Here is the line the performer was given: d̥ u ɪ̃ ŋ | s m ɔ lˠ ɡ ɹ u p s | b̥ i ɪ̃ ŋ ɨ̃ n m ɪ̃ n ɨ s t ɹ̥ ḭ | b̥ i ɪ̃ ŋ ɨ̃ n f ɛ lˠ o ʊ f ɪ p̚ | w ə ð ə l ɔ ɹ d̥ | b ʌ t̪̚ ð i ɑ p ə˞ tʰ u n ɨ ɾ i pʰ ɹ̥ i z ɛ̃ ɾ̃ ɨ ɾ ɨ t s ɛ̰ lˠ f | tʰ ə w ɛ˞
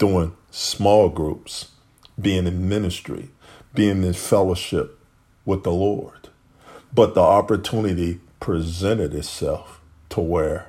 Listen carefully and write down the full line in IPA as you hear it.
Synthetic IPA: d̥ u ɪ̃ ŋ | s m ɔ lˠ ɡ ɹ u p s | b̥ i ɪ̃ ŋ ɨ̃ n m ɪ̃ n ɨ s t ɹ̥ ḭ | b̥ i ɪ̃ ŋ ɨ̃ n f ɛ lˠ o ʊ ʃ ɪ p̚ | w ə ð ə l ɔ ɹ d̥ | b ʌ t̪̚ ð i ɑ p ə˞ tʰ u n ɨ ɾ i pʰ ɹ̥ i z ɛ̃ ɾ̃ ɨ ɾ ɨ t s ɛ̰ lˠ f | tʰ ə w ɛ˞